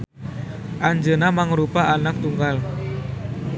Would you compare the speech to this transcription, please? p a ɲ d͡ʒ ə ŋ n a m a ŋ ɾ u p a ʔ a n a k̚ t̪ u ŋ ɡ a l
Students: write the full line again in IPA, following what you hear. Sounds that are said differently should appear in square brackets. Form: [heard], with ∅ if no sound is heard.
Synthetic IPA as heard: [ʔ] a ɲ d͡ʒ ə [∅] n a m a ŋ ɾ u p a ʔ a n a k̚ t̪ u ŋ ɡ a l